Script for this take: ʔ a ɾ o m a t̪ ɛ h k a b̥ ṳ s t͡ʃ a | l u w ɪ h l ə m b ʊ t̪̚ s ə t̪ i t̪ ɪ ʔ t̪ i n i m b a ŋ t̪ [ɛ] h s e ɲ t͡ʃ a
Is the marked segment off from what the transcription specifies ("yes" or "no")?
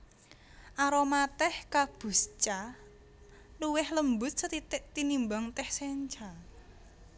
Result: no